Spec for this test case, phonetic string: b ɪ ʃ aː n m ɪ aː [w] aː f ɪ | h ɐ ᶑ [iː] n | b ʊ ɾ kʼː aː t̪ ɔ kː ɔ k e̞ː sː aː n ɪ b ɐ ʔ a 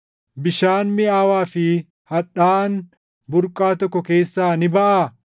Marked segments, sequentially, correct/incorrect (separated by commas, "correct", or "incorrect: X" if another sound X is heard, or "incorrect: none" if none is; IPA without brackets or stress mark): correct, incorrect: aː